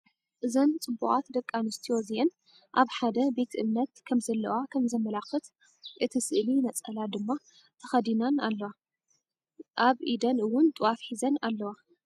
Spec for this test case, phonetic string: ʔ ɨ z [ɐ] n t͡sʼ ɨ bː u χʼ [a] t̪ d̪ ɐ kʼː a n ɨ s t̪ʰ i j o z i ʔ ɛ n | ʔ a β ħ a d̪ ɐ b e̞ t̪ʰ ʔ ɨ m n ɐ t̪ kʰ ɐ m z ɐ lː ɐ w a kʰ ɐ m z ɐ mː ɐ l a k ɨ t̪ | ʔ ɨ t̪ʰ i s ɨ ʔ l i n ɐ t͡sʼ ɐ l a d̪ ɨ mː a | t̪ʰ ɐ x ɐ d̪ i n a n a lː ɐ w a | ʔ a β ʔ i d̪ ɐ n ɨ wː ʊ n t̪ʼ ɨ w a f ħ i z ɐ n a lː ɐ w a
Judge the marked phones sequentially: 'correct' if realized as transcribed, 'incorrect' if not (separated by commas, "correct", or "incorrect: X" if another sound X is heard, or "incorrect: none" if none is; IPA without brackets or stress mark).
correct, correct